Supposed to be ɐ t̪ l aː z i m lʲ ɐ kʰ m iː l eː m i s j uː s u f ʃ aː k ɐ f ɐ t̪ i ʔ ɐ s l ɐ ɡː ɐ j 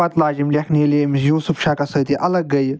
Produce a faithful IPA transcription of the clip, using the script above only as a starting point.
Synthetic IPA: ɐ t̪ l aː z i m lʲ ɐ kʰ n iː l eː m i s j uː s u f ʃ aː k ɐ s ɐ t̪ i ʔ ɐ l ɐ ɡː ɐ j